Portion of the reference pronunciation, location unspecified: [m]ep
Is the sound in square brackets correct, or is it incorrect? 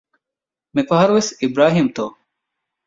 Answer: correct